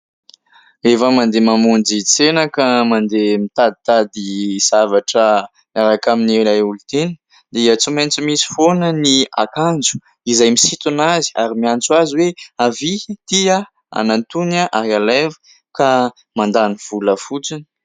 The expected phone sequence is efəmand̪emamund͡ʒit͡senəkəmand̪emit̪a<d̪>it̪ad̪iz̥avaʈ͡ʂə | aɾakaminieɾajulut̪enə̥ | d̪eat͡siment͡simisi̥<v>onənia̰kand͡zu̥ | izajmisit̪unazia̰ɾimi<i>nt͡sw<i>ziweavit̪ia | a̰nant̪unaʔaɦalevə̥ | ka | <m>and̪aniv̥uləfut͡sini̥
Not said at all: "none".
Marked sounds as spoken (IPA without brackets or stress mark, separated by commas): d̪, f, a, a, m